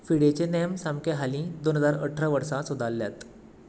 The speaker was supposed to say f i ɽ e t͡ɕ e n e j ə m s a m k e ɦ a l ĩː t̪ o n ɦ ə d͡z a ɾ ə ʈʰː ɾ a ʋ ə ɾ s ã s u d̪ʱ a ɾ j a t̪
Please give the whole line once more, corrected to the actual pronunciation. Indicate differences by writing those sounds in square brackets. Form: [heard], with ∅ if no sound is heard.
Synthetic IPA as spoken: f i ɽ e t͡ɕ e n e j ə m s a m k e ɦ a l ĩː [d̪] o n ɦ ə d͡z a ɾ ə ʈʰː ɾ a ʋ ə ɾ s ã s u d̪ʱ a [l] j a t̪